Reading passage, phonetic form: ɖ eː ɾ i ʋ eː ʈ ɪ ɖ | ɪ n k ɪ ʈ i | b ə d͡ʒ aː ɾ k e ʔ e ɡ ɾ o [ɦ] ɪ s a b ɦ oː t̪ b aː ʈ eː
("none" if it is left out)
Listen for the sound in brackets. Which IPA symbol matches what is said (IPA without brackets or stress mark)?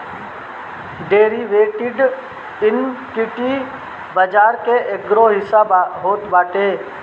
ɦ